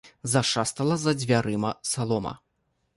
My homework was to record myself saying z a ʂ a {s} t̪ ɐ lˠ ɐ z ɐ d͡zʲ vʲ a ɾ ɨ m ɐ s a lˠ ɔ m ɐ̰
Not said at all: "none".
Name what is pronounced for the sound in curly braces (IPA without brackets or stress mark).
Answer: s